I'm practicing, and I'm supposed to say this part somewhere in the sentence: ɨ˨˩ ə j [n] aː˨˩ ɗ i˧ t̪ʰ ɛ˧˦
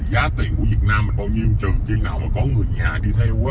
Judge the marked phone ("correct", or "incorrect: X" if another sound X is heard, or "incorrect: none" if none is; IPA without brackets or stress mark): incorrect: ɲ